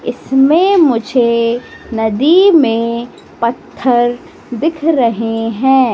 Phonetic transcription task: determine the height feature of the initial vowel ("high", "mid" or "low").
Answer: high